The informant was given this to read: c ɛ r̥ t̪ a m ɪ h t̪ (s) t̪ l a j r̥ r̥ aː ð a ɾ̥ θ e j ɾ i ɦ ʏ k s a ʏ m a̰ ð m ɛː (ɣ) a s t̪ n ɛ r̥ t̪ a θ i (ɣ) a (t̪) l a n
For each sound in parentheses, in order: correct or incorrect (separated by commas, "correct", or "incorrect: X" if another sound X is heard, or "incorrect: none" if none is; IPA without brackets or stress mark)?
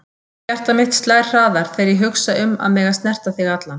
correct, correct, correct, correct